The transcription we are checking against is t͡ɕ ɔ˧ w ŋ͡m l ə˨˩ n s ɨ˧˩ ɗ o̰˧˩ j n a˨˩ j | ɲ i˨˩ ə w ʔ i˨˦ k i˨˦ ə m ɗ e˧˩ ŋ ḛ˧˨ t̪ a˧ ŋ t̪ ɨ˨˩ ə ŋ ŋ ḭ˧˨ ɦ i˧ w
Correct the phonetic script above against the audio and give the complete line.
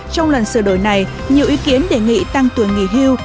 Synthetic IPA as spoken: t͡ɕ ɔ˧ w ŋ͡m l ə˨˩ n s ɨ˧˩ ɗ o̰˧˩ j n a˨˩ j | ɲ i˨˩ ə w ʔ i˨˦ k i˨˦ ə n ɗ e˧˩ ŋ ḭ˧˨ t̪ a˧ ŋ t̪ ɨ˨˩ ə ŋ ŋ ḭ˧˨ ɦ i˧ w